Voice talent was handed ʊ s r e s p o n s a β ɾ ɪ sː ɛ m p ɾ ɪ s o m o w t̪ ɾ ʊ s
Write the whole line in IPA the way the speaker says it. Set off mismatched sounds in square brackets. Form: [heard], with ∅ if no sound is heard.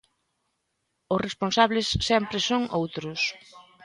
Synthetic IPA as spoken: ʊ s r e s p o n s a β [l] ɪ sː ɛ m p ɾ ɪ s o [ŋ] o w t̪ ɾ ʊ s